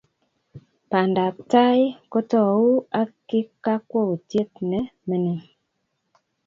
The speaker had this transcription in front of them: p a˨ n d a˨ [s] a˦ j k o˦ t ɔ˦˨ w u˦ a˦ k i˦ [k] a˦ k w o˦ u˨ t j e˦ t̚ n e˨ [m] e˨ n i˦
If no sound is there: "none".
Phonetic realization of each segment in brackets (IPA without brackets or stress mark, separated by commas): t, k, m